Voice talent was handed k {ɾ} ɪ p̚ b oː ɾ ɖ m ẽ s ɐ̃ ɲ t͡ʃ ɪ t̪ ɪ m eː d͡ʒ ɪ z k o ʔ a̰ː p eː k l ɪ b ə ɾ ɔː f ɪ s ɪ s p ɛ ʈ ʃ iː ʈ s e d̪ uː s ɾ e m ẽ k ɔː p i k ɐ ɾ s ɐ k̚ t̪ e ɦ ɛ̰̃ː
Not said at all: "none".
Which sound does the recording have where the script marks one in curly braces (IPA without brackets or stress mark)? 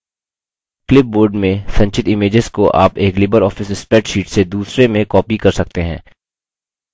l